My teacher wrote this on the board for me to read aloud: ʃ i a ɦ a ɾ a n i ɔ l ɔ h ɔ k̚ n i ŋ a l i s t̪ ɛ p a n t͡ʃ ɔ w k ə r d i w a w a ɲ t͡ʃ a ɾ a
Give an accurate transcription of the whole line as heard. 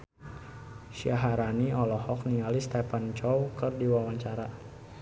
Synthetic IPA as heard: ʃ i a ɦ a ɾ a n i ɔ l ɔ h ɔ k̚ n i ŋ a l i s t̪ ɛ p a n t͡ʃ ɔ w k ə r d i w a w a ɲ t͡ʃ a ɾ a

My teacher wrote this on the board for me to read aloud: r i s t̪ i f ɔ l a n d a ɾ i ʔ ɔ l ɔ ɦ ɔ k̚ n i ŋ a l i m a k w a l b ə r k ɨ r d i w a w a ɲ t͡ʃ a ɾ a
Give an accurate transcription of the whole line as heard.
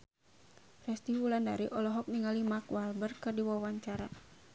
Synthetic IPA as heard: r ɛ s t̪ i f u l a n d a ɾ i ʔ ɔ l ɔ ɦ ɔ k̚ n i ŋ a l i m a k w a l b ə r k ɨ r d i w a w a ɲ t͡ʃ a ɾ a

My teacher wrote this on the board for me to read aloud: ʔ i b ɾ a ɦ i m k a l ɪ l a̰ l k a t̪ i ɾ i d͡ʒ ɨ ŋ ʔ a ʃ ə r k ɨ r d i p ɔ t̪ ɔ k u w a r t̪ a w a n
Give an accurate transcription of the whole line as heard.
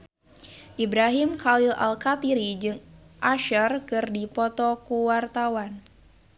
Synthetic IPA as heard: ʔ i b ɾ a ɦ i m k a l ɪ l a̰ l k a t̪ i ɾ i d͡ʒ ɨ ŋ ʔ a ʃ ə r k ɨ r d i p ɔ t̪ ɔ k u w a r t̪ a w a n

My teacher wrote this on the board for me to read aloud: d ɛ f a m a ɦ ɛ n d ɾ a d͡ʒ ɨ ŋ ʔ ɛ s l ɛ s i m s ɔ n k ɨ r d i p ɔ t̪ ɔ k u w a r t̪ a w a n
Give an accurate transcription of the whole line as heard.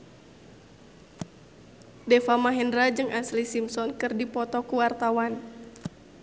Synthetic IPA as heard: d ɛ f a m a ɦ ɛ n d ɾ a d͡ʒ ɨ ŋ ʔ a s l i s i m s ɔ n k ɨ r d i p ɔ t̪ ɔ k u w a r t̪ a w a n

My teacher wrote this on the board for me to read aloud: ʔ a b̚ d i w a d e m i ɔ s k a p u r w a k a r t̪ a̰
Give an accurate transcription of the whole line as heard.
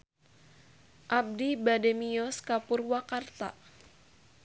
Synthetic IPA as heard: ʔ a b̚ d i b a d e m i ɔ s k a p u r w a k a r t̪ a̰

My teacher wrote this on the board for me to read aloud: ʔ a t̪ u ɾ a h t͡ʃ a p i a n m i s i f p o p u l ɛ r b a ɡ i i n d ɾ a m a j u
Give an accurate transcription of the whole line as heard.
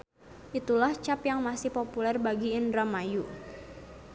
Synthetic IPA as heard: ʔ i t̪ u l a h t͡ʃ a p j a ŋ m a s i h p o p u l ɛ r b a ɡ i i n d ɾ a m a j u

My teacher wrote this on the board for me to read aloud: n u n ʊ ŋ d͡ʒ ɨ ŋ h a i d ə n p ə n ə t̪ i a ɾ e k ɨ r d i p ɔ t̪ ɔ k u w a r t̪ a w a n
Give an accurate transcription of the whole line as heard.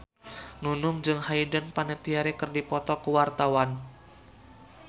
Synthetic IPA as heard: n u n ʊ ŋ d͡ʒ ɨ ŋ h a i d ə n p a n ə t̪ i a ɾ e k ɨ r d i p ɔ t̪ ɔ k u w a r t̪ a w a n

